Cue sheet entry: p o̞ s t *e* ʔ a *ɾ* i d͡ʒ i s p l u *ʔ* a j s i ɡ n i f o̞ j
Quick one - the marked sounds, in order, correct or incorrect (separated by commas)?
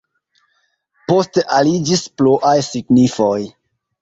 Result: correct, incorrect, correct